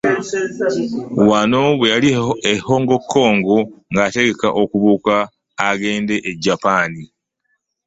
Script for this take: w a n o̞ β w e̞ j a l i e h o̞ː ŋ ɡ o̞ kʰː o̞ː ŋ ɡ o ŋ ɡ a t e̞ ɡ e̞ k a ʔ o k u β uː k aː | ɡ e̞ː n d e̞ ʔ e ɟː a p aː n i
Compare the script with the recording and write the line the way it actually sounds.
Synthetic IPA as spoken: w a n o̞ β w e̞ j a l i e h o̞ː ŋ ɡ o̞ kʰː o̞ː ŋ ɡ o ŋ ɡ a t e̞ ɡ e̞ k a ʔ o k u β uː k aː | ɡ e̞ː n d e̞ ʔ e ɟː a p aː n i